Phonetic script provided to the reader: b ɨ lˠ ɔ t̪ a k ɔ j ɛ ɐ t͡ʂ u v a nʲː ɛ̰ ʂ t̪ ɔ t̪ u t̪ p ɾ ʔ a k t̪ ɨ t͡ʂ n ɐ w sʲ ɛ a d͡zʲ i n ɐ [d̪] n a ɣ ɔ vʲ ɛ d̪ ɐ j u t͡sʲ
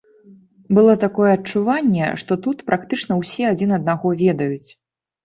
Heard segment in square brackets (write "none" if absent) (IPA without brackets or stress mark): d̪